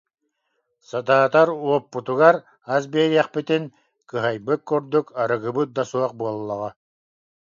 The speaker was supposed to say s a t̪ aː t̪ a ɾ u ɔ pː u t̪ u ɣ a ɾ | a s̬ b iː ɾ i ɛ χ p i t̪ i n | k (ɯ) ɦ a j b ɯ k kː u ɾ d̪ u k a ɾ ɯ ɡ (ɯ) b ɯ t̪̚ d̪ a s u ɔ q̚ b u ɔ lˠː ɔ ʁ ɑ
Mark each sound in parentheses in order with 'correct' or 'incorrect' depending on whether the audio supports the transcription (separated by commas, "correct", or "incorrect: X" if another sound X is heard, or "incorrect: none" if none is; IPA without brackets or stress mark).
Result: correct, correct